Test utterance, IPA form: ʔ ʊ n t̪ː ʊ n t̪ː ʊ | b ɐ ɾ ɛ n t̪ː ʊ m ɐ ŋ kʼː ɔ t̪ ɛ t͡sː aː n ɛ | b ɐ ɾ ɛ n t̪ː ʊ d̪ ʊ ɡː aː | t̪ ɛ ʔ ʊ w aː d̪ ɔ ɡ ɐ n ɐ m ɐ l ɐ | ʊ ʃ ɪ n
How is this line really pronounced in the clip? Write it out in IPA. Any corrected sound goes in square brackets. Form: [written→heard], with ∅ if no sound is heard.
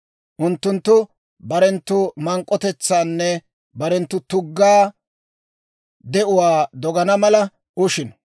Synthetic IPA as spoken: ʔ ʊ n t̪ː ʊ n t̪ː ʊ | b ɐ ɾ ɛ n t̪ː ʊ m ɐ ŋ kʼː ɔ t̪ ɛ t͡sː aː [n→nː] ɛ | b ɐ ɾ ɛ n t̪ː ʊ [d̪→t̪] ʊ ɡː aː | [t̪→d̪] ɛ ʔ ʊ w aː d̪ ɔ ɡ ɐ n ɐ m ɐ l ɐ | ʊ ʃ ɪ n